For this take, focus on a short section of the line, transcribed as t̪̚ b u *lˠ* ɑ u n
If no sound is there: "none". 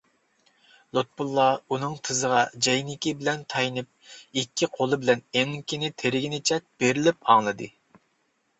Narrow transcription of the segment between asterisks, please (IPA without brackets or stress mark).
lˠː